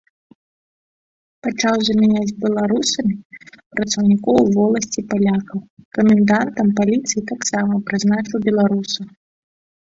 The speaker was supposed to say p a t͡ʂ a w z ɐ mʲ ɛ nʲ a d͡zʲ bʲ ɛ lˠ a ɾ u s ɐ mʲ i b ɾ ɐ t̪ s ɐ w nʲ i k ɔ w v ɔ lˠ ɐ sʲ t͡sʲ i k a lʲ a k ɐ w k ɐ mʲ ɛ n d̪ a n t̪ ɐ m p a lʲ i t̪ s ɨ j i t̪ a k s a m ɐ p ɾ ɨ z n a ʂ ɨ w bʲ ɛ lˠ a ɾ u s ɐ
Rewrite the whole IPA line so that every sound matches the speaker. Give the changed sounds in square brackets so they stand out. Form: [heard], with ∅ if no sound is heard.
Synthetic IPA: p a t͡ʂ a w z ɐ mʲ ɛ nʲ a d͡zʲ bʲ ɛ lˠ a ɾ u s ɐ mʲ i [p] ɾ ɐ t̪ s ɐ w nʲ i k ɔ w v ɔ lˠ ɐ sʲ t͡sʲ i [p] a lʲ a k ɐ w k ɐ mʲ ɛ n d̪ a n t̪ ɐ m p a lʲ i t̪ s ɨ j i t̪ a k s a m ɐ p ɾ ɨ z n a [t͡ʂ] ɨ w bʲ ɛ lˠ a ɾ u s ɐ